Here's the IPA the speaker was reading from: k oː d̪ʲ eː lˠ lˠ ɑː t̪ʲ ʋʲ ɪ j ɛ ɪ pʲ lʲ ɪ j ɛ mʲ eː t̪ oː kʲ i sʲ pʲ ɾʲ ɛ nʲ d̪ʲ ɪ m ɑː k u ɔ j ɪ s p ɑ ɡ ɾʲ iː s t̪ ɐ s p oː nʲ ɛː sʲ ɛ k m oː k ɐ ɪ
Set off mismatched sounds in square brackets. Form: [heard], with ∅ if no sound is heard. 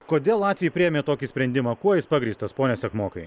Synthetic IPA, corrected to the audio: k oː d̪ʲ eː lˠ lˠ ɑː t̪ʲ ʋʲ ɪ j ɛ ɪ pʲ [ɾʲ] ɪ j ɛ mʲ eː t̪ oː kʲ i sʲ pʲ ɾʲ ɛ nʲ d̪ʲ ɪ m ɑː k u ɔ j ɪ s p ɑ ɡ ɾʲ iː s t̪ ɐ s p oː nʲ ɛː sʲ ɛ k m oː k ɐ ɪ